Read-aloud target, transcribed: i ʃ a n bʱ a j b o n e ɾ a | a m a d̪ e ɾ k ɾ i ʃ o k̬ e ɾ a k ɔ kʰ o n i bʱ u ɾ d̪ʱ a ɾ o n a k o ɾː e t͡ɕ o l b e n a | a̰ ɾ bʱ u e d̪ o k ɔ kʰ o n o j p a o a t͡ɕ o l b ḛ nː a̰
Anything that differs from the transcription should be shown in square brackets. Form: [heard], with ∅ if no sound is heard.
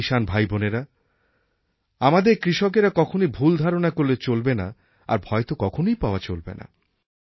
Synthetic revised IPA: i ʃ a n bʱ a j b o n e ɾ a | a m a d̪ e ɾ k ɾ i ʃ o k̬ e ɾ a k ɔ kʰ o n i bʱ u [l] d̪ʱ a ɾ o n a k o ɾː e t͡ɕ o l b e n a | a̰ ɾ bʱ [ɔ] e [t̪] o k ɔ kʰ o n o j p a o a t͡ɕ o l b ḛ [n] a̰

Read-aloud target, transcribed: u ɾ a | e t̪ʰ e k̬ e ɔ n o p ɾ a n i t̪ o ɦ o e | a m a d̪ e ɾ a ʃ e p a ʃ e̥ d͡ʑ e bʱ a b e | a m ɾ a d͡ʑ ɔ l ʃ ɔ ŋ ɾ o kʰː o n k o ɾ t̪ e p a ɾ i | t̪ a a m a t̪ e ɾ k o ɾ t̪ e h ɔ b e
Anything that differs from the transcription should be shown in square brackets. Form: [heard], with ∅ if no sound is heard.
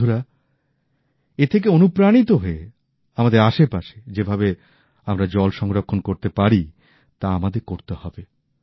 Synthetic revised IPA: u ɾ a | e t̪ʰ e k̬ e [o] n [u] p ɾ a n i t̪ o ɦ o e | a m a d̪ e ɾ a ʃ e p a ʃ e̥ d͡ʑ e bʱ a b e | a m ɾ a d͡ʑ ɔ l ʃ ɔ ŋ ɾ o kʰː o n k o ɾ t̪ e p a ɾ i | t̪ a a m a [d̪] e ɾ k o ɾ t̪ e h ɔ b e

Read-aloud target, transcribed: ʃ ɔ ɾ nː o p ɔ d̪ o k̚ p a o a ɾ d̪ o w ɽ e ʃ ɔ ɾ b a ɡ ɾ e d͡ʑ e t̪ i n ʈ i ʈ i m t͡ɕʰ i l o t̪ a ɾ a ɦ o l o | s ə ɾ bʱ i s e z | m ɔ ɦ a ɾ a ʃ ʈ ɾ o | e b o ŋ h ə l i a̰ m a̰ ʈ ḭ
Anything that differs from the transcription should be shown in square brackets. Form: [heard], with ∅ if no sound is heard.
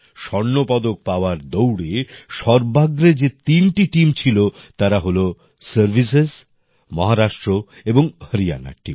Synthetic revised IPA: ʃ ɔ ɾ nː o p ɔ d̪ o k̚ p a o a ɾ d̪ o w ɽ e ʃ ɔ ɾ b a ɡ ɾ e d͡ʑ e t̪ i n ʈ i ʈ i m t͡ɕʰ i l o t̪ a ɾ a ɦ o l o | s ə ɾ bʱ i s e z | m ɔ ɦ a ɾ a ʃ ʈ ɾ o | e b o ŋ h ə [ɾ] i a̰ [n] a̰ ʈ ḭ

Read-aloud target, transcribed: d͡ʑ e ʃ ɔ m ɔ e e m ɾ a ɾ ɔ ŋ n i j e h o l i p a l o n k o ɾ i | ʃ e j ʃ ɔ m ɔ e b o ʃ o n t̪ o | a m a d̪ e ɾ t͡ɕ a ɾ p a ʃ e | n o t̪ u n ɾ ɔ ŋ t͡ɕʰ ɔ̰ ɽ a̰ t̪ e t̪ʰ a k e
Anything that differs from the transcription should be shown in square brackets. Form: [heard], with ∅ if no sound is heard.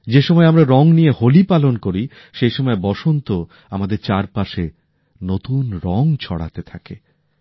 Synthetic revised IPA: d͡ʑ e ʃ ɔ m ɔ e [a] m ɾ a ɾ ɔ ŋ n i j e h o l i p a l o n k o ɾ i | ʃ e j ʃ ɔ m ɔ e b [ɔ] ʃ o n t̪ o | a m a d̪ e ɾ t͡ɕ a ɾ p a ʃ e | n o t̪ u n ɾ ɔ ŋ t͡ɕʰ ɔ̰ ɽ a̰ t̪ e t̪ʰ a k e

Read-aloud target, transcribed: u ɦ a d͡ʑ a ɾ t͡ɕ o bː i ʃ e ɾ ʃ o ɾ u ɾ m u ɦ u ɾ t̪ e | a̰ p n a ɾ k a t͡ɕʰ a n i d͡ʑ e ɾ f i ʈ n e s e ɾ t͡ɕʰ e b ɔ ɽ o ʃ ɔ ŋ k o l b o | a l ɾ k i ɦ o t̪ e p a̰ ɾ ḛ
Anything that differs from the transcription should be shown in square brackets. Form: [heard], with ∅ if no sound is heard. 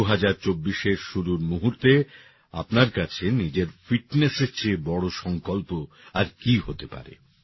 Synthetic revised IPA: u ɦ a d͡ʑ a ɾ t͡ɕ o bː i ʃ e ɾ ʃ [u] ɾ u ɾ m u ɦ u ɾ t̪ e | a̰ p n a ɾ k a t͡ɕʰ [e] n i d͡ʑ e ɾ f i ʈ n e s e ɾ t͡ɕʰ e b ɔ ɽ o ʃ ɔ ŋ k o l [p] o | a [∅] ɾ k i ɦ o t̪ e p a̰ ɾ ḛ

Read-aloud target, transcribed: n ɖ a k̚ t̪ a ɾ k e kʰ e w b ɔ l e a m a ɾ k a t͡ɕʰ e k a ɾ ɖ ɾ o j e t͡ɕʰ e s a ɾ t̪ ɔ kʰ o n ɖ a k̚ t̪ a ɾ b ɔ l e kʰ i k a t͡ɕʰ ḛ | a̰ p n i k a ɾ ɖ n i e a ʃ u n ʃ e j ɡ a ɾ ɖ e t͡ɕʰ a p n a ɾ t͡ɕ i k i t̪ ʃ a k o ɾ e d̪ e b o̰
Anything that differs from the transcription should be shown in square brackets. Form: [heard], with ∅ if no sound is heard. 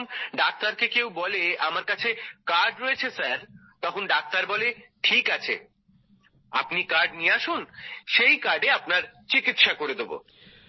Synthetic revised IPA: n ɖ a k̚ t̪ a ɾ k e [k] e w b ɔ l e a m a ɾ k a t͡ɕʰ e k a ɾ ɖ ɾ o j e t͡ɕʰ e s a ɾ t̪ ɔ kʰ o n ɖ a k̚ t̪ a ɾ b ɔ l e [ʈʰ] i k a t͡ɕʰ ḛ | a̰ p n i k a ɾ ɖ n i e a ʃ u n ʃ e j [k] a ɾ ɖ e [∅] a p n a ɾ t͡ɕ i k i t̪ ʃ a k o ɾ e d̪ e b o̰

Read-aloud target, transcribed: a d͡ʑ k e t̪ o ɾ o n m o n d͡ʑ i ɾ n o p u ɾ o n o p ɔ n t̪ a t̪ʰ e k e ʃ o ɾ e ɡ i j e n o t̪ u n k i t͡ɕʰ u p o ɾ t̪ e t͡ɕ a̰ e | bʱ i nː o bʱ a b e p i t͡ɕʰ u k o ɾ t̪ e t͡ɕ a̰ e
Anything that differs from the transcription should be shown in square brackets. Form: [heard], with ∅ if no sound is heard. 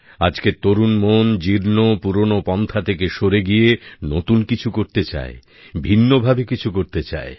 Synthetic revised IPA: a d͡ʑ k e t̪ o ɾ [u] n m o n d͡ʑ i ɾ n o p u ɾ o n o p ɔ n [t̪ʰ] a t̪ʰ e k e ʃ o ɾ e ɡ i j e n o t̪ u n k i t͡ɕʰ u [k] o ɾ t̪ e t͡ɕ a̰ e | bʱ i nː o bʱ a b e [k] i t͡ɕʰ u k o ɾ t̪ e t͡ɕ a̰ e

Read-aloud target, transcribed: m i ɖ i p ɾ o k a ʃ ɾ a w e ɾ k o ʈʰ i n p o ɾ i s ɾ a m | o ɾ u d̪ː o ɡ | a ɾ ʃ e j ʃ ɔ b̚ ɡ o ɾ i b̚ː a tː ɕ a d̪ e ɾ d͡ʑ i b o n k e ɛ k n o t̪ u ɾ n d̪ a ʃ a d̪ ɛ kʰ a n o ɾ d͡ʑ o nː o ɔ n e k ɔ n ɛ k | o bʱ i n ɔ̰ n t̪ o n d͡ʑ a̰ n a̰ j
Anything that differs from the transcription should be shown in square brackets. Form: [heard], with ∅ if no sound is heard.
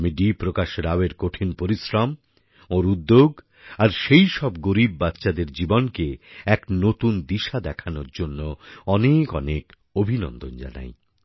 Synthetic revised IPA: m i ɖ i p ɾ o k a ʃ ɾ a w e ɾ k o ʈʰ i n p o ɾ i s ɾ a m | o ɾ u d̪ː o ɡ | a ɾ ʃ e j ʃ ɔ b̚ ɡ o ɾ i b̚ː a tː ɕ a d̪ e ɾ d͡ʑ i b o n k e ɛ k n o t̪ u [∅] n d̪ [i] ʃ a d̪ ɛ kʰ a n o ɾ d͡ʑ o nː o ɔ n e k ɔ n [e] k | o bʱ i n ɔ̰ n [d̪] o n d͡ʑ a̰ n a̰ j

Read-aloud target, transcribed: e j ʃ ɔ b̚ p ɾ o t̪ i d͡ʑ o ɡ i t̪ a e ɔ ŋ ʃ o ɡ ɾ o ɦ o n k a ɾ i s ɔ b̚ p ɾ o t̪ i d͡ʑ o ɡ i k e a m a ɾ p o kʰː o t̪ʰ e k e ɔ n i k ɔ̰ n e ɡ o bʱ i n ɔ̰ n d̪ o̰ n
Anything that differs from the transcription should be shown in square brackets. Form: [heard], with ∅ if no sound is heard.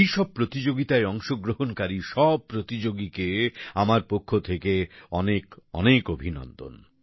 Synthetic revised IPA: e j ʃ ɔ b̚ p ɾ o t̪ i d͡ʑ o ɡ i t̪ a e ɔ ŋ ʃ o ɡ ɾ o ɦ o n k a ɾ i [ʃ] ɔ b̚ p ɾ o t̪ i d͡ʑ o ɡ i k e a m a ɾ p o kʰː o t̪ʰ e k e ɔ n [e] k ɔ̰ n e [k] o bʱ i n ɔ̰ n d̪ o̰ n

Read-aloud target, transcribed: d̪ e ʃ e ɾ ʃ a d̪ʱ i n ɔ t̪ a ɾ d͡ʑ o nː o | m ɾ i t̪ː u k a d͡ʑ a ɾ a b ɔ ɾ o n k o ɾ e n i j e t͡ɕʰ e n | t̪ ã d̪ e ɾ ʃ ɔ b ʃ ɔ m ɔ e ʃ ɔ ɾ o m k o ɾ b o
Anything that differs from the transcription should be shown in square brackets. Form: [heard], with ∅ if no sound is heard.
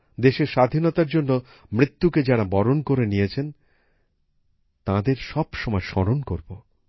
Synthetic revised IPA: d̪ e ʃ e ɾ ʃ a d̪ʱ i n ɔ t̪ a ɾ d͡ʑ o nː o | m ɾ i t̪ː u k [e] d͡ʑ a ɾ a b ɔ ɾ o n k o ɾ e n i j e t͡ɕʰ e n | t̪ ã d̪ e ɾ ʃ ɔ b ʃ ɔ m ɔ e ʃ ɔ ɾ o [n] k o ɾ b o

